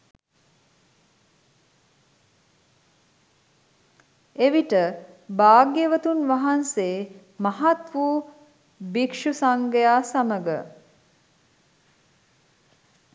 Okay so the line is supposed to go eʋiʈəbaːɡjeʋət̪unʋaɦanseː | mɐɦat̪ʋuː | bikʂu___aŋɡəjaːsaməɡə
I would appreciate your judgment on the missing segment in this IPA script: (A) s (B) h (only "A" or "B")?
A